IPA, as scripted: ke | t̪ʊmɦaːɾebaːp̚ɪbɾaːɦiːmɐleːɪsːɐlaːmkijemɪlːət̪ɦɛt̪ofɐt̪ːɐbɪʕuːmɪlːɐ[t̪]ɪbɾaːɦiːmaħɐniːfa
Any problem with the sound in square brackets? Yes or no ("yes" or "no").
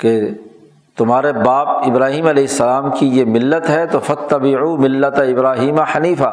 no